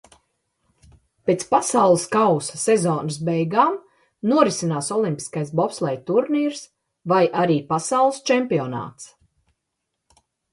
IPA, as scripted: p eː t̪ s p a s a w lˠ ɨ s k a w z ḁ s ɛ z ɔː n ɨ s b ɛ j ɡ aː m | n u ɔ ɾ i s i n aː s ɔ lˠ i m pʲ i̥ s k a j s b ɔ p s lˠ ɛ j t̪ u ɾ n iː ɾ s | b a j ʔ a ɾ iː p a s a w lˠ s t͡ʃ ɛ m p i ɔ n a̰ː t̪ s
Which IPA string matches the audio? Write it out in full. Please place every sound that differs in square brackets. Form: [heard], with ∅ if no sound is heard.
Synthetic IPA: p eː t̪ s p a s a w lˠ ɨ s k a w [s] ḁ s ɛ z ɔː n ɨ s b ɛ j ɡ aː m | n u ɔ ɾ i s i n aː s ɔ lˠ i m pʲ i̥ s k a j s b ɔ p s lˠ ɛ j t̪ u ɾ n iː ɾ s | [v] a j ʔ a ɾ iː p a s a w lˠ s t͡ʃ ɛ m p i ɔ n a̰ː t̪ s